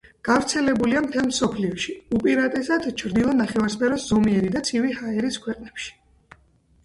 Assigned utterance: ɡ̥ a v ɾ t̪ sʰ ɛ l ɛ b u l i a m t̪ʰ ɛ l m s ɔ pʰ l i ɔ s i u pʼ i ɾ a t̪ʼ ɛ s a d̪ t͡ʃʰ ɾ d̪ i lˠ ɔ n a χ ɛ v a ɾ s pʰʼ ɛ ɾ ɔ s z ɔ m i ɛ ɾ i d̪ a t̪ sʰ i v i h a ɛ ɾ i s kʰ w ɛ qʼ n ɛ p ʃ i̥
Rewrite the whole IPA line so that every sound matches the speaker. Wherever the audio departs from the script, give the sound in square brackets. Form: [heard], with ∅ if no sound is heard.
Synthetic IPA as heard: ɡ̥ a v ɾ t̪ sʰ ɛ l ɛ b u l i a m t̪ʰ ɛ l m s ɔ pʰ l i ɔ [ʃ] i u pʼ i ɾ a t̪ʼ ɛ s a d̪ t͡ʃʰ ɾ d̪ i lˠ ɔ n a χ ɛ v a ɾ s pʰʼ ɛ ɾ ɔ s z ɔ m i ɛ ɾ i d̪ a t̪ sʰ i v i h a ɛ ɾ i s kʰ w ɛ qʼ n ɛ p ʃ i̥

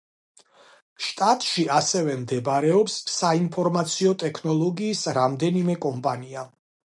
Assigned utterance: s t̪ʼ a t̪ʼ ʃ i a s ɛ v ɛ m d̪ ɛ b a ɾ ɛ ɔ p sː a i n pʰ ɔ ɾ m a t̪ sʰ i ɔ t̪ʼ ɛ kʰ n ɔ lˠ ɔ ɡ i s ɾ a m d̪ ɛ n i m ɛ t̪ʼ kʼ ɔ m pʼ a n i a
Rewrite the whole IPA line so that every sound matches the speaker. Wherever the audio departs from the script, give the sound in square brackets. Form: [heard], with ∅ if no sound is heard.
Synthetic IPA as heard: [ʃ] t̪ʼ a t̪ʼ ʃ i a s ɛ v ɛ m d̪ ɛ b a ɾ ɛ ɔ p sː a i n pʰ ɔ ɾ m a t̪ sʰ i ɔ t̪ʼ ɛ kʰ n ɔ lˠ ɔ ɡ [iː] s ɾ a m d̪ ɛ n i m ɛ [∅] kʼ ɔ m pʼ a n i a

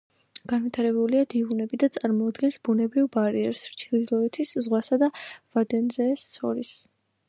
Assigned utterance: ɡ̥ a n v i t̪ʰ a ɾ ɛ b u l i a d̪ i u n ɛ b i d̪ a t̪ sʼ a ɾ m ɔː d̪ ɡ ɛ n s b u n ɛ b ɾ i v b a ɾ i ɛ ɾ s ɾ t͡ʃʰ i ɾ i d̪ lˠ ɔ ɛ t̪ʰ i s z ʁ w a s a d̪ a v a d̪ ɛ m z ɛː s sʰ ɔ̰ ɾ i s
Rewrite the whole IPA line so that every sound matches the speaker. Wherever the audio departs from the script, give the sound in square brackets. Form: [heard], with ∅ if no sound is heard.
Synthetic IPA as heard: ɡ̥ a n v i t̪ʰ a ɾ ɛ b u l i a d̪ i u n ɛ b i d̪ a t̪ sʼ a ɾ m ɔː d̪ ɡ ɛ n s b u n ɛ b ɾ i v b a ɾ i ɛ ɾ s ɾ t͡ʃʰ i [l] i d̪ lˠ ɔ ɛ t̪ʰ i s z ʁ w a s a d̪ a v a d̪ ɛ [n] z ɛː s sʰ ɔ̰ ɾ i s

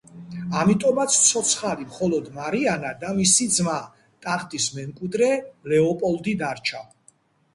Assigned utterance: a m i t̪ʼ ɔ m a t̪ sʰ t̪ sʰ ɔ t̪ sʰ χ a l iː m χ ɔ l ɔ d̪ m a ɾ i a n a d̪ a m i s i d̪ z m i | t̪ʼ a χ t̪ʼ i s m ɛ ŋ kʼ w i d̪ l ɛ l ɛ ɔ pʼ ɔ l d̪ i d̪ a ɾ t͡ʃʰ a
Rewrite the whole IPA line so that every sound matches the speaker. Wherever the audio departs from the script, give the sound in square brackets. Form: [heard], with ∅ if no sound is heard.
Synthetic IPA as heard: a m i t̪ʼ ɔ m a t̪ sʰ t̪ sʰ ɔ t̪ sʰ χ a l [i] m χ ɔ l ɔ d̪ m a ɾ i a n a d̪ a m i s i d̪ z m [a] | t̪ʼ a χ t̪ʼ i s m ɛ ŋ kʼ w i d̪ [ɾ] ɛ l ɛ ɔ pʼ ɔ l d̪ i d̪ a ɾ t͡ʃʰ a

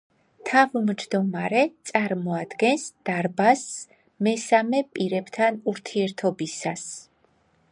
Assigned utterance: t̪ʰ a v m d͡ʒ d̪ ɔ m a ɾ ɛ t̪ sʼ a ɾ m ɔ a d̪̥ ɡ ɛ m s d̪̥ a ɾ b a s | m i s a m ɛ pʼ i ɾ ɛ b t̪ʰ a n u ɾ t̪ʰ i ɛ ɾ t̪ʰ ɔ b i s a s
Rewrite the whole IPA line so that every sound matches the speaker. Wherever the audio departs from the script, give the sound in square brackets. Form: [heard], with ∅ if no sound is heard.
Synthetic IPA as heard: t̪ʰ a v m d͡ʒ d̪ ɔ m a ɾ ɛ t̪ sʼ a ɾ m ɔ a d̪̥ ɡ ɛ [n] s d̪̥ a ɾ b a s | m [ɛ] s a m ɛ pʼ i ɾ ɛ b t̪ʰ a n u ɾ t̪ʰ i ɛ ɾ t̪ʰ ɔ b i s a s

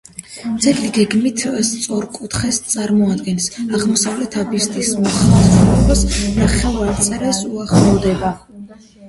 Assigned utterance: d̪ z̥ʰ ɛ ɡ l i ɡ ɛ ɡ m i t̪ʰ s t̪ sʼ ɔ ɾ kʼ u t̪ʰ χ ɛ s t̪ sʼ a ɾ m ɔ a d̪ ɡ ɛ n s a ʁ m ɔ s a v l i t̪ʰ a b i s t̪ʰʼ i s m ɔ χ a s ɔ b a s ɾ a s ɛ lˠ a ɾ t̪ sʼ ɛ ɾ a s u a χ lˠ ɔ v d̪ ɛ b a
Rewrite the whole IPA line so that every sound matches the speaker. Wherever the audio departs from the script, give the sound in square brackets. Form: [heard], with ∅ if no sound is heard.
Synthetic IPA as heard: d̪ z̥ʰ ɛ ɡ l i ɡ ɛ ɡ m i t̪ʰ s t̪ sʼ ɔ ɾ kʼ u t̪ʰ χ ɛ s t̪ sʼ a ɾ m ɔ a d̪ ɡ ɛ n s a ʁ m ɔ s a v l [ɛ] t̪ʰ a b i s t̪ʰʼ i s m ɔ χ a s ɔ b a s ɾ a [χ] ɛ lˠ a ɾ t̪ sʼ ɛ ɾ a s u a χ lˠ ɔ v d̪ ɛ b a

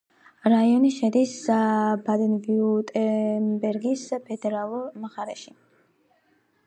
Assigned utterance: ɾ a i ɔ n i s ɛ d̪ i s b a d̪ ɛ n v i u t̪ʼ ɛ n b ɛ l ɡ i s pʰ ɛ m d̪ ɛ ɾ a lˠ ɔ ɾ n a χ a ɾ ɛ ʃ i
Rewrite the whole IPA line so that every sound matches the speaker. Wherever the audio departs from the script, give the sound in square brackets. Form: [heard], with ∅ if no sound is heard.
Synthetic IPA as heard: ɾ a i ɔ n i [ʃ] ɛ d̪ i s b a d̪ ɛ n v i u t̪ʼ ɛ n b ɛ [ɾ] ɡ i s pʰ ɛ [∅] d̪ ɛ ɾ a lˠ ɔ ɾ [m] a χ a ɾ ɛ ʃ i

